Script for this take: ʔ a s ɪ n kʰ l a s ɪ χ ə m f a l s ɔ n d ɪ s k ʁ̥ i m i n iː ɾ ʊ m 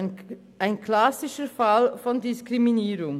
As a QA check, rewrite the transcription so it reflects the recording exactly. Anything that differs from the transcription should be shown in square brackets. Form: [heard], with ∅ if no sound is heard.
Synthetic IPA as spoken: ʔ a [∅] ɪ n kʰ l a s ɪ [ʃ] ə [∅] f a l [f] ɔ n d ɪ s k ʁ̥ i m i n iː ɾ ʊ [ŋ]